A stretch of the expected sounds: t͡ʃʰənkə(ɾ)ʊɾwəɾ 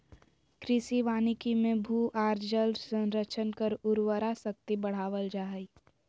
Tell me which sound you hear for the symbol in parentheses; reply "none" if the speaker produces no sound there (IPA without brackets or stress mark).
ɾ